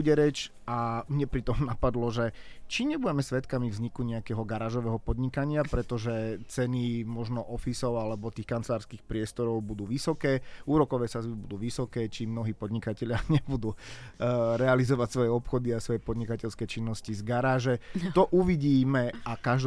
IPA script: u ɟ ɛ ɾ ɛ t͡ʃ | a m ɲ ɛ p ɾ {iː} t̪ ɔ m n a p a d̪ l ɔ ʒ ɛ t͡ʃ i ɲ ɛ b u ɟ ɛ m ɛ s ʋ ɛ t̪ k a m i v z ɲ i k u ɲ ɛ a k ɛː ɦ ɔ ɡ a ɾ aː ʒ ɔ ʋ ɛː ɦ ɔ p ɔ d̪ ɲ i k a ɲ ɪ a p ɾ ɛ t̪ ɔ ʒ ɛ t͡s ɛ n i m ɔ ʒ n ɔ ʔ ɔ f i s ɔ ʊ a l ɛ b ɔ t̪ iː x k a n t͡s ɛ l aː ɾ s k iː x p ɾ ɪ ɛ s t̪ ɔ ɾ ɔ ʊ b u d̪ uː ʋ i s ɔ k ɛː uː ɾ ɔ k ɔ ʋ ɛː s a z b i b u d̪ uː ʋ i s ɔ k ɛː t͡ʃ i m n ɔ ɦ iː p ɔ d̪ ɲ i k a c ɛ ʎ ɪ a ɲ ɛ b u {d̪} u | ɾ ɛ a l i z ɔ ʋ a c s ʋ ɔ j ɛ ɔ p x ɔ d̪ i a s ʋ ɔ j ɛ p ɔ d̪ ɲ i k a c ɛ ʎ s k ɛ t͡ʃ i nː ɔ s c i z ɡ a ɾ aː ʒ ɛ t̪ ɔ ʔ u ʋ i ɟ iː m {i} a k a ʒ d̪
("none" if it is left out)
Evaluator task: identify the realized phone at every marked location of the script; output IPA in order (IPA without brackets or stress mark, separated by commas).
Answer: i, d̪, ɛ